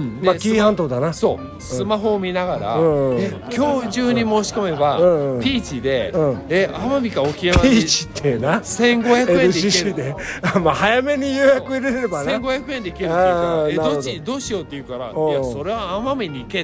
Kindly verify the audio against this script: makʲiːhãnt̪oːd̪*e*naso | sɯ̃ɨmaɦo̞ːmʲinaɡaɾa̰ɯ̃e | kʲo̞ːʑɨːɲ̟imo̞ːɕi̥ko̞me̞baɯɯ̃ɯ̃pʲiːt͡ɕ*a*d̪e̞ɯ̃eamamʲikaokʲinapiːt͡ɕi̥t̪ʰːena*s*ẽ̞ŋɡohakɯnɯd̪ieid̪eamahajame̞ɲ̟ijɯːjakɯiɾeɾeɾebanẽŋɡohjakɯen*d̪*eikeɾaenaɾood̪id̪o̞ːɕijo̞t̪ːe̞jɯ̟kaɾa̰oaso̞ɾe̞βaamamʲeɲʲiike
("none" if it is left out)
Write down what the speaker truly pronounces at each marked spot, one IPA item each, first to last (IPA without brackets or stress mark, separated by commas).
a, i, s, d̪